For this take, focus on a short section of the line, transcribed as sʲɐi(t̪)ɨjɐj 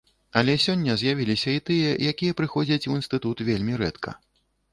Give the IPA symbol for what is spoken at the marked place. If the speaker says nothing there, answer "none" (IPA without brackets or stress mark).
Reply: t̪